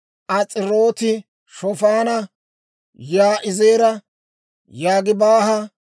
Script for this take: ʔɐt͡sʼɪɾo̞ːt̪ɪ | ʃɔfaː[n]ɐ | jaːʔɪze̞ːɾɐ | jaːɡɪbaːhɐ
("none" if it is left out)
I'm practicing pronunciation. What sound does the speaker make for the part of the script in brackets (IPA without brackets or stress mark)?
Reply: n